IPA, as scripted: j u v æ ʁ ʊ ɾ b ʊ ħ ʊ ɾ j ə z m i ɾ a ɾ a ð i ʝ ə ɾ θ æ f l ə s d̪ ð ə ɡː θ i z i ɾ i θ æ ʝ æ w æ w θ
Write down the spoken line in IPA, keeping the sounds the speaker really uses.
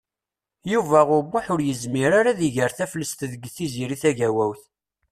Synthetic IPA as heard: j u v æ ʁ ʊ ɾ b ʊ ħ ʊ ɾ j ə z m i ɾ a ɾ a ð i ʝ ə ɾ θ æ f l ə s t̪ ð ə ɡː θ i z i ɾ i θ æ ʝ æ w æ w θ